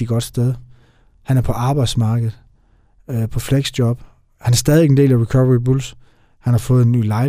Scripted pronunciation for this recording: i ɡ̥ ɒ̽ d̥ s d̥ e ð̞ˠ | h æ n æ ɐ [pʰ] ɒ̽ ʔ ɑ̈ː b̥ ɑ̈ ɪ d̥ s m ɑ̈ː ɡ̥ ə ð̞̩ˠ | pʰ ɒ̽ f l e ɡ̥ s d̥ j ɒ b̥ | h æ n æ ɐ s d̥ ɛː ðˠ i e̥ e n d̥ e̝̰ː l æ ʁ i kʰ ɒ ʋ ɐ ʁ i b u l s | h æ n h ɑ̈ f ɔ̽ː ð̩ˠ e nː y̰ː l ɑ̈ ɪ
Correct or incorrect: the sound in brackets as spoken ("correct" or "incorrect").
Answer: correct